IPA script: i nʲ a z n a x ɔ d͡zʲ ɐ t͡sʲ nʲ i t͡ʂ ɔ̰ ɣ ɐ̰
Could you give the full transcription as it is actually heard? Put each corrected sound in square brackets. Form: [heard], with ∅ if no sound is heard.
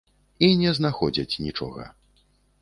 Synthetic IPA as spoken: i nʲ [ɛ] z n a x ɔ d͡zʲ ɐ t͡sʲ nʲ i t͡ʂ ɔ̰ ɣ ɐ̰